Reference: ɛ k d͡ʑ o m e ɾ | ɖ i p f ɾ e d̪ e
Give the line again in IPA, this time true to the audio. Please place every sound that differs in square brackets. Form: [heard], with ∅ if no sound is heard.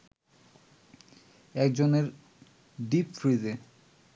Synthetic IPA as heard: ɛ k d͡ʑ o [n] e ɾ | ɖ i p f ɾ [i] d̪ e